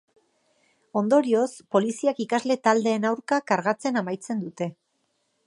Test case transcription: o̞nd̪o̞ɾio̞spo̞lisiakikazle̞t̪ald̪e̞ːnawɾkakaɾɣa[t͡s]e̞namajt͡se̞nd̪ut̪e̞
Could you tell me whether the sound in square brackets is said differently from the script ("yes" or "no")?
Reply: no